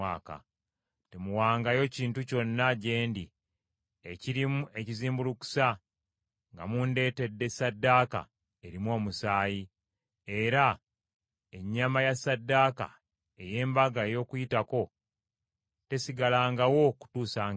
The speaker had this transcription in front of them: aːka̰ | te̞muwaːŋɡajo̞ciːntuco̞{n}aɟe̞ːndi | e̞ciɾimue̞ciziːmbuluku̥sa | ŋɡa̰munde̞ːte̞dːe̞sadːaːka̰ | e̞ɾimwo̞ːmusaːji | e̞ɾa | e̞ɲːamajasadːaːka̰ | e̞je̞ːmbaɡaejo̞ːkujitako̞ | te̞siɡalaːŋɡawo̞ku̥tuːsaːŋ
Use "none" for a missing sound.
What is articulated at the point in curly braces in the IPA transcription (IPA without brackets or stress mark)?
nː